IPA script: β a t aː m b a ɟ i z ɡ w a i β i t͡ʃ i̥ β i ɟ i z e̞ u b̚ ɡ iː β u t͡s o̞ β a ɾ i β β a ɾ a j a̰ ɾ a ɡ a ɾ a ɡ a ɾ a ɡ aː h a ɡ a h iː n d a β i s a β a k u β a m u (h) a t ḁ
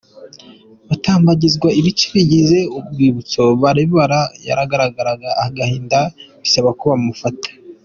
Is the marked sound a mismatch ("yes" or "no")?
yes